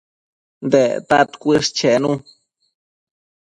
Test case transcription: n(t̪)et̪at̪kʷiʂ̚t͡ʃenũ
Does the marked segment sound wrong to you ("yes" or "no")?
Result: yes